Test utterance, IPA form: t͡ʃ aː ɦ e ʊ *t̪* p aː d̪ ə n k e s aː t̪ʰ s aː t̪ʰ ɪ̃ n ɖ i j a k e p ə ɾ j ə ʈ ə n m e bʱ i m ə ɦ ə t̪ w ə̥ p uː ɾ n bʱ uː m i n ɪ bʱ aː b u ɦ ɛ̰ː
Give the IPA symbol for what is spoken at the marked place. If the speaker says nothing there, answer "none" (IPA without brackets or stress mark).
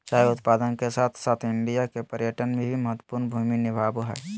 t̪